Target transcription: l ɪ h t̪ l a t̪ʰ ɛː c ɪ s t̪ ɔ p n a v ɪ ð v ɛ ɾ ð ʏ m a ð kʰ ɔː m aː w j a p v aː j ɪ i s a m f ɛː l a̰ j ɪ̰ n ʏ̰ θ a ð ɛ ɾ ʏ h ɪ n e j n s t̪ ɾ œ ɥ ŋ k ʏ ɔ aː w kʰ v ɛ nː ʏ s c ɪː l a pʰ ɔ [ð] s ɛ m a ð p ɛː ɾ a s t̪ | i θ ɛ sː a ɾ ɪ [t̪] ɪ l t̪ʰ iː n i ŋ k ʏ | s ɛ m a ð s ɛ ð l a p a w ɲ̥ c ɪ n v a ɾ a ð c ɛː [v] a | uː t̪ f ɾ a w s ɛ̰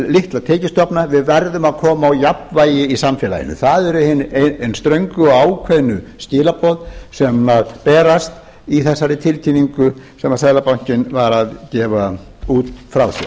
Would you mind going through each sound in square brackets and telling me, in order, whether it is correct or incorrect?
correct, incorrect, correct

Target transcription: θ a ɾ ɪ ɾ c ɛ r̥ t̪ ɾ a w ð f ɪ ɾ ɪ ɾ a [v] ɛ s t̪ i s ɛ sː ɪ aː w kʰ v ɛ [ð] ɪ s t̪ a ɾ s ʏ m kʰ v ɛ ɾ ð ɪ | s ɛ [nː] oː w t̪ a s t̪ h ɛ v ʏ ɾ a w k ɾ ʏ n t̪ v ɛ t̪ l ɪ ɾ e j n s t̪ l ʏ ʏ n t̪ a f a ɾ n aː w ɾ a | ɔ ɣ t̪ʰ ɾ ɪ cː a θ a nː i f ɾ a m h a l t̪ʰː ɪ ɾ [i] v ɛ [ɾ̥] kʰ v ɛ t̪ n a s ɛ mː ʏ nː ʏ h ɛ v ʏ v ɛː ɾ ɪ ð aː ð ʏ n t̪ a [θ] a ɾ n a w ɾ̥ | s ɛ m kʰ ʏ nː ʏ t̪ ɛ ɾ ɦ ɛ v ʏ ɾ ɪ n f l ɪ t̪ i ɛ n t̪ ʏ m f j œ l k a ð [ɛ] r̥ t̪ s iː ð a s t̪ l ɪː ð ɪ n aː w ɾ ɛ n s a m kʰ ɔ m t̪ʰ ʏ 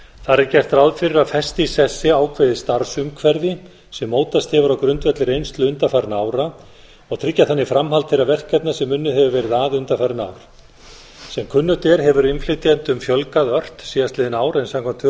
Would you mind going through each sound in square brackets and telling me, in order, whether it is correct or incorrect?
incorrect, correct, incorrect, incorrect, incorrect, incorrect, incorrect

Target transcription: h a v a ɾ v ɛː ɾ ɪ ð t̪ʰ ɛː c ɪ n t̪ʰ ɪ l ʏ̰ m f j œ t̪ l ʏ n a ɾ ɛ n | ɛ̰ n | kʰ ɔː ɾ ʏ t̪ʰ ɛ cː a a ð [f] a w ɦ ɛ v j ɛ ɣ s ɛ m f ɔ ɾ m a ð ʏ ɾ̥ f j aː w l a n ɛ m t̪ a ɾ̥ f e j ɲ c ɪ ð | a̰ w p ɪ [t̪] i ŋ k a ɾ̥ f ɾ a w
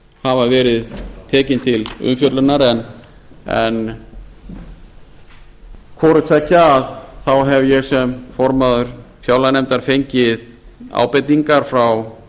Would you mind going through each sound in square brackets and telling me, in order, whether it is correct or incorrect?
incorrect, correct

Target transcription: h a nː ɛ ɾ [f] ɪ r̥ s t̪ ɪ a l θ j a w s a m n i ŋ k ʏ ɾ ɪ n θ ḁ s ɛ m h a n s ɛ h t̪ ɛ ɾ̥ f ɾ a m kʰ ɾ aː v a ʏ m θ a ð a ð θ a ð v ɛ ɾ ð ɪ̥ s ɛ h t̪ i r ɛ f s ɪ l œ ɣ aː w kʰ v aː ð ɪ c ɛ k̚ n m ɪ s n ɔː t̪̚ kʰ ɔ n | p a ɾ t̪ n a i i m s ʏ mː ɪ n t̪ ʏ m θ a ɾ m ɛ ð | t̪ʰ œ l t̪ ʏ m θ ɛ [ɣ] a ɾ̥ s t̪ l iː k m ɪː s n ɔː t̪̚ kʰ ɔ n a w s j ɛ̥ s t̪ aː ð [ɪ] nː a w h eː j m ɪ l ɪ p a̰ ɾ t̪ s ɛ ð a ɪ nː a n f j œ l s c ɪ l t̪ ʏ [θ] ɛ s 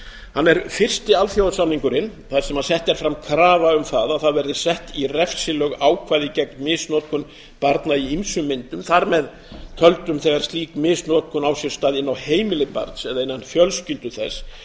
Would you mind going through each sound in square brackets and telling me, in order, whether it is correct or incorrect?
correct, correct, correct, correct

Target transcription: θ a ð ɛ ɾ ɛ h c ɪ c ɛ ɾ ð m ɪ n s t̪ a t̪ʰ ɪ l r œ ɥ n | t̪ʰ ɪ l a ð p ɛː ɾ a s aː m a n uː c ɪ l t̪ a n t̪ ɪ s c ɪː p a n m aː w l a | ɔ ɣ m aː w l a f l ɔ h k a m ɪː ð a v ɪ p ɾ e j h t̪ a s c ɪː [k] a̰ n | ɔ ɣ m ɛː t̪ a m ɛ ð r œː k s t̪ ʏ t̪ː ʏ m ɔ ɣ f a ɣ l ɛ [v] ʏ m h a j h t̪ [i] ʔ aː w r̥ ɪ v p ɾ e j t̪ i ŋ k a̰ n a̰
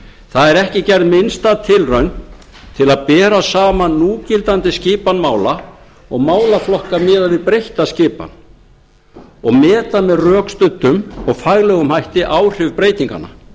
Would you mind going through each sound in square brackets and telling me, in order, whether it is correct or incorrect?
incorrect, incorrect, incorrect

